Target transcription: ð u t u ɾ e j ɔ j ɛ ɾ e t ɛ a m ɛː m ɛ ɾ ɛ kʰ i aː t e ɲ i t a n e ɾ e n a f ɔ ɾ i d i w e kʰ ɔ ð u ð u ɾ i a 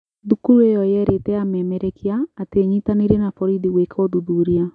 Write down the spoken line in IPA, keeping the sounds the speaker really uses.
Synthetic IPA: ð u k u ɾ e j ɔ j ɛ ɾ e t ɛ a m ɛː m ɛ ɾ ɛ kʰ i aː t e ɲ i t a n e ɾ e n a f ɔ ɾ i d i w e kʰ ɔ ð u ð u ɾ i a